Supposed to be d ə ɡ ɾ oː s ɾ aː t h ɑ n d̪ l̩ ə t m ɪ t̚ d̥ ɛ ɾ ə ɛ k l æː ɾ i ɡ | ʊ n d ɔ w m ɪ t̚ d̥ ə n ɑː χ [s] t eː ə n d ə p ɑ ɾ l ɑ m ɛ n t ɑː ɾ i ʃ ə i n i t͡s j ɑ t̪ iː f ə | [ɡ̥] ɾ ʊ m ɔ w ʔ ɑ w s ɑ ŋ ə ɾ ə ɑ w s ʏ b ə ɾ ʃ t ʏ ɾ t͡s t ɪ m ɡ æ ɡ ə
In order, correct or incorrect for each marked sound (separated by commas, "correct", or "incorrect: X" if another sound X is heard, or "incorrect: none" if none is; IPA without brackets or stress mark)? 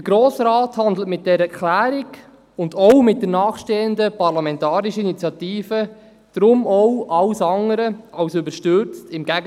incorrect: ʃ, incorrect: d̥